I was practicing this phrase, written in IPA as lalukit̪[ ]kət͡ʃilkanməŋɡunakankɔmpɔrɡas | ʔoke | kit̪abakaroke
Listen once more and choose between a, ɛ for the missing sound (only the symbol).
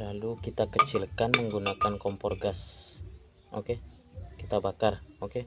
a